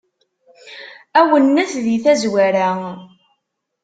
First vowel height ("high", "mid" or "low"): low